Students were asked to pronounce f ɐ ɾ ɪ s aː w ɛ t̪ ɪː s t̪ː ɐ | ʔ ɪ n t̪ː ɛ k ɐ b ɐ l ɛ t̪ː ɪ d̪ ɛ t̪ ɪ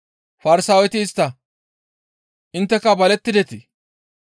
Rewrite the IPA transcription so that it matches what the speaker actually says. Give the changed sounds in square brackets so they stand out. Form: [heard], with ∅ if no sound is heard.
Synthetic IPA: f ɐ ɾ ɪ s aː w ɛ t̪ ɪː s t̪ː ɐ | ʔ ɪ n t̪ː ɛ k ɐ b ɐ l ɛ t̪ː ɪ d̪ ɛ t̪ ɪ